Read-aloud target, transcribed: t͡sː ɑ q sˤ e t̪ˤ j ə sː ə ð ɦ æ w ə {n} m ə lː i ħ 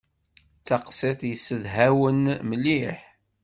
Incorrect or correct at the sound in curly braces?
correct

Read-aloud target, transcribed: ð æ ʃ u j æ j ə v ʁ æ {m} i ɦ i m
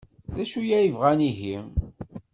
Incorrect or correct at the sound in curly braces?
incorrect: n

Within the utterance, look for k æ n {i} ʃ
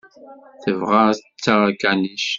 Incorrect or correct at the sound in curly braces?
correct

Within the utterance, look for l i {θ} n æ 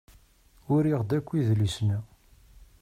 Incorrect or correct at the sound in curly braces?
incorrect: s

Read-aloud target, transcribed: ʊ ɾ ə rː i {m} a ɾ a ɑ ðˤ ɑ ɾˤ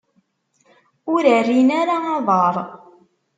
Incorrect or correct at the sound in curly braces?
incorrect: n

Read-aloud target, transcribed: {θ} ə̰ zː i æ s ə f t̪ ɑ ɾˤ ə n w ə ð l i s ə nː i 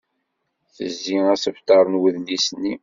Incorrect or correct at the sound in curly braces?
correct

